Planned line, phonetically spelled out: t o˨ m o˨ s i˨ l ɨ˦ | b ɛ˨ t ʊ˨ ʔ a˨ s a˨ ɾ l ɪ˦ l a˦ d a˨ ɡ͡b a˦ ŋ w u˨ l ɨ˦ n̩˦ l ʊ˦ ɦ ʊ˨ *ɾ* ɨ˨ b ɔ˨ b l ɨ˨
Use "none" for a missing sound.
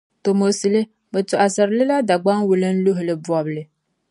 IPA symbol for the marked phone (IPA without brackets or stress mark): l